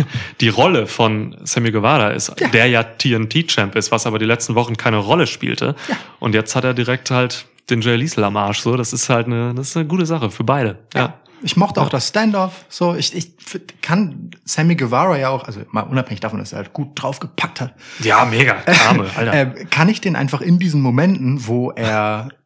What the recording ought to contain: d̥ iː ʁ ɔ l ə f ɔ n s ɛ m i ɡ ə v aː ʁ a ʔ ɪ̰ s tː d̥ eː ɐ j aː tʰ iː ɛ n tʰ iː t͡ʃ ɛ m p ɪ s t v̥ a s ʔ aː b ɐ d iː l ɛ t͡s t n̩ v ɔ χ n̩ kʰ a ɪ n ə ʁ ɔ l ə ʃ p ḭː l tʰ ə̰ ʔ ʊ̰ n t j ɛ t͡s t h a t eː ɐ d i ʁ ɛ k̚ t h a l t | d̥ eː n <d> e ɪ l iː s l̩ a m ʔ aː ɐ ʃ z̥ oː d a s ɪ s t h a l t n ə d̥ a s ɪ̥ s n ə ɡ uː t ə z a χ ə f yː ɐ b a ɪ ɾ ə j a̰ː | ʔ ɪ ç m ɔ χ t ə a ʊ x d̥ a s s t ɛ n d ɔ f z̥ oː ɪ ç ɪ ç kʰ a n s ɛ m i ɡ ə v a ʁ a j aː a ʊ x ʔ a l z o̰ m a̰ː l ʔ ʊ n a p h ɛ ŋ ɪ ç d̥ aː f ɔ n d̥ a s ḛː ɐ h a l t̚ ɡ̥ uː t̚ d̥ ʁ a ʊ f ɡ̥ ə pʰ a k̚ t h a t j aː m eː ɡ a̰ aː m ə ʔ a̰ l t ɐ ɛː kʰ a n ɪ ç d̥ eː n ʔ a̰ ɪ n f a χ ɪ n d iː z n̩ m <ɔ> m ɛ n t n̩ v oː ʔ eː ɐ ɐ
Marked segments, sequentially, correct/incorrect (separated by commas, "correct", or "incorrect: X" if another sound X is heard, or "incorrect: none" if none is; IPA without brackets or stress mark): incorrect: d͡ʒ, incorrect: o